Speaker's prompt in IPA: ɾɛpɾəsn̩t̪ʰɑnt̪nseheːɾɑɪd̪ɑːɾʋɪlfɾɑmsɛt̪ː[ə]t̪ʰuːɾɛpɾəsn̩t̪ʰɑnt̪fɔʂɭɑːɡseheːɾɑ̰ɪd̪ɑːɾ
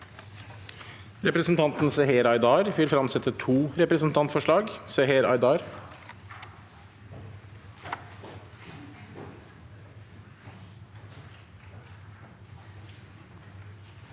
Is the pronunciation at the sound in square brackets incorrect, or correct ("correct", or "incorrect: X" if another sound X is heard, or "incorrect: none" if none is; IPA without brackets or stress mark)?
correct